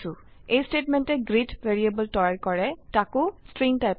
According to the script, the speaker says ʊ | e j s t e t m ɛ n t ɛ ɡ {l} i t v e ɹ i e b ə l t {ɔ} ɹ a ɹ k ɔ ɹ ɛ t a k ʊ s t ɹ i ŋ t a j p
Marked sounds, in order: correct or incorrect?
incorrect: ɹ, correct

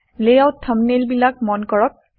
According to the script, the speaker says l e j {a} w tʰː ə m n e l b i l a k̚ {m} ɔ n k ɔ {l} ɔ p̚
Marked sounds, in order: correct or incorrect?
correct, correct, incorrect: ɹ

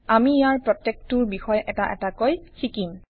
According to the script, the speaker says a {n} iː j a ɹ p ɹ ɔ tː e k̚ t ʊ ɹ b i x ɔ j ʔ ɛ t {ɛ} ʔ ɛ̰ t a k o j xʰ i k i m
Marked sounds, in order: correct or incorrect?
incorrect: m, incorrect: a

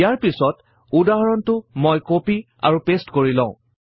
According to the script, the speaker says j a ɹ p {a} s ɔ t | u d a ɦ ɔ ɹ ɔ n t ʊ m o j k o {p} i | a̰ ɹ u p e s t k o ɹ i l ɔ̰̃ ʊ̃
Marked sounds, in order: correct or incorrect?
incorrect: i, correct

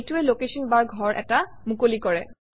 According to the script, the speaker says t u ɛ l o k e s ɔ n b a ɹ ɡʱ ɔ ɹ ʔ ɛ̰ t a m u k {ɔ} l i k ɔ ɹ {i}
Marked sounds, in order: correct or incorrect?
incorrect: o, incorrect: ɛ

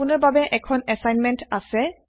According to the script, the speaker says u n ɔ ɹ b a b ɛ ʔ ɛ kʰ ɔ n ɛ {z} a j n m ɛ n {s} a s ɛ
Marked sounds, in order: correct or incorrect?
incorrect: s, incorrect: t

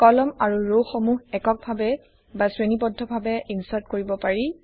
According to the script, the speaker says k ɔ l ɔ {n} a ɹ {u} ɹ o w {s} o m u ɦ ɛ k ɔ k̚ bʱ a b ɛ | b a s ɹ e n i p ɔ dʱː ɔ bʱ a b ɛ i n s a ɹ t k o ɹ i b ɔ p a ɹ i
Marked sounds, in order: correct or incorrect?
incorrect: m, correct, incorrect: x

